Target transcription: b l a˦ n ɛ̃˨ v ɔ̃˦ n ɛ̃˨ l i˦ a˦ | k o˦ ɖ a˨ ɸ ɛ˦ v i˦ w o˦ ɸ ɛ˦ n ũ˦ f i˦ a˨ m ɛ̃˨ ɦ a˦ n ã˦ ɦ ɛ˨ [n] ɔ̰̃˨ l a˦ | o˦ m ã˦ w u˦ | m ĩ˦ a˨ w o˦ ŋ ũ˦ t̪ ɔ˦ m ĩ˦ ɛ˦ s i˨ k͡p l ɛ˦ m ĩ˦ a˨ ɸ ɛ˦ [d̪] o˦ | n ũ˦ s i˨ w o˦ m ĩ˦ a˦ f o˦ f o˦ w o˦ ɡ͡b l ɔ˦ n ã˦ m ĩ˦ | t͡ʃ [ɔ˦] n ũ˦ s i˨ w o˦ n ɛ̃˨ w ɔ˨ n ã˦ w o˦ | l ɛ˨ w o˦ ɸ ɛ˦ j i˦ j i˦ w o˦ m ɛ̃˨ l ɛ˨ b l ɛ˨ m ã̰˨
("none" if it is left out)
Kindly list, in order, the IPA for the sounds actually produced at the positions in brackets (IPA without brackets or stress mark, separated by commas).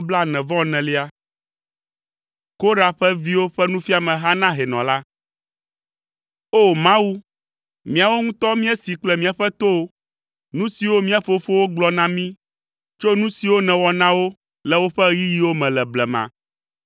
n, t̪, o˦